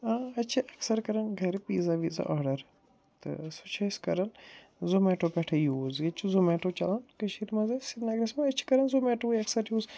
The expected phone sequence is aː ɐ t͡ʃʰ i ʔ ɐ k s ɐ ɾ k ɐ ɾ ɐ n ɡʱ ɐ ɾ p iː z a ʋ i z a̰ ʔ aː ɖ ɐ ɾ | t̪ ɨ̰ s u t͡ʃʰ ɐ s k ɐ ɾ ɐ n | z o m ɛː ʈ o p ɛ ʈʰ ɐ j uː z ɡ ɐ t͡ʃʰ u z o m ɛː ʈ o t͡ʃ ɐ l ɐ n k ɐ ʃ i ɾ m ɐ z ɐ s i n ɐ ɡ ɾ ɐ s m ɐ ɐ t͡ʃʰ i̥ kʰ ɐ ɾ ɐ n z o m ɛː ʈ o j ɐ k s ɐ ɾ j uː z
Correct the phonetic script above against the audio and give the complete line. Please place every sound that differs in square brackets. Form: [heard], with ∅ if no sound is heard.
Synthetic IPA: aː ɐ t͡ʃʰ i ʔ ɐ k s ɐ ɾ k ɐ ɾ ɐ n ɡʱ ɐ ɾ p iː z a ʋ i z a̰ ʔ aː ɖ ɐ ɾ | t̪ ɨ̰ s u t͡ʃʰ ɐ s k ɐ ɾ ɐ n | z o m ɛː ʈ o p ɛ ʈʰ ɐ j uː z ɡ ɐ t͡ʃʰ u z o m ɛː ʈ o t͡ʃ ɐ l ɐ n k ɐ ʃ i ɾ m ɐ z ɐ s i n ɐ ɡ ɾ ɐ s m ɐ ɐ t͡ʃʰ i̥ [k] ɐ ɾ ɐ n z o m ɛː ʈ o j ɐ k s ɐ ɾ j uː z